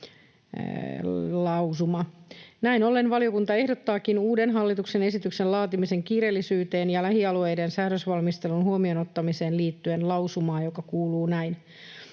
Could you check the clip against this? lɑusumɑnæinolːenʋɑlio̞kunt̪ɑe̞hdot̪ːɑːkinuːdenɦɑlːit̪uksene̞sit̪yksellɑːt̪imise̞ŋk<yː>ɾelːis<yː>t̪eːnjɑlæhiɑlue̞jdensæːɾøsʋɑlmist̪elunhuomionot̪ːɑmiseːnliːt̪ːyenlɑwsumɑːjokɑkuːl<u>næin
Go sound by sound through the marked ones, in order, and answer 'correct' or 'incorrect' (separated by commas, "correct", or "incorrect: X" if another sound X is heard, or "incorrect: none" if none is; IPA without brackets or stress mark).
incorrect: iː, correct, incorrect: uː